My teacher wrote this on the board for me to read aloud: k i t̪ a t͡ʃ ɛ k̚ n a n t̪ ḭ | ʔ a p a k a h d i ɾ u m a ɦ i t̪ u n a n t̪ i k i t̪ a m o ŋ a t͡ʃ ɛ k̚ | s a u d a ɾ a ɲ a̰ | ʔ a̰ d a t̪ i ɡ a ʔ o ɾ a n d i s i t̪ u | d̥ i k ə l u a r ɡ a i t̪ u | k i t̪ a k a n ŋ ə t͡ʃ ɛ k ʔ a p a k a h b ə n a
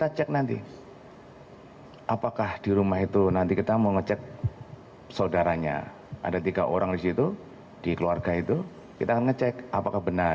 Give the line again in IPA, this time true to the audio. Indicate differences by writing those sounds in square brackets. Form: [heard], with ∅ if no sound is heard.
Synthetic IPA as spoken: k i t̪ a t͡ʃ ɛ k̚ n a n t̪ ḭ | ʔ a p a k a h d i ɾ u m a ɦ i t̪ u n a n t̪ i k i t̪ a m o ŋ [ə] t͡ʃ ɛ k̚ | s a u d a ɾ a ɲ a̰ | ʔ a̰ d a t̪ i ɡ a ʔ o ɾ a [ŋ] d i s i t̪ u | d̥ i k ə l u a r ɡ a i t̪ u | k i t̪ a k a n ŋ ə t͡ʃ ɛ k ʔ a p a k a h b ə n a